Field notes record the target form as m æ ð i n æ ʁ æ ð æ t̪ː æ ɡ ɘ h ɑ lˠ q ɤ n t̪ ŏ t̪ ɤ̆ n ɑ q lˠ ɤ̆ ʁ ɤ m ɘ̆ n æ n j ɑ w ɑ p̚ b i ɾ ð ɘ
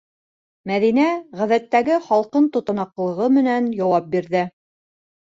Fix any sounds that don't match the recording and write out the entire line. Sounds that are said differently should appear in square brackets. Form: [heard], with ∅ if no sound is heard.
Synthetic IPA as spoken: m æ ð i n æ ʁ æ ð æ t̪ː æ ɡ ɘ [χ] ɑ lˠ q ɤ n t̪ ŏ t̪ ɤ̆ n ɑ q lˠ ɤ̆ ʁ ɤ m ɘ̆ n æ n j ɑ w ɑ p̚ b i ɾ ð ɘ